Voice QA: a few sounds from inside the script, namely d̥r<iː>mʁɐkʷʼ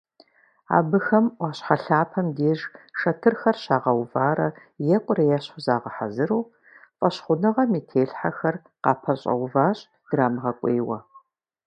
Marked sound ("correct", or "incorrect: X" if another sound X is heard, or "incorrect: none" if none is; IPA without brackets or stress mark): incorrect: aː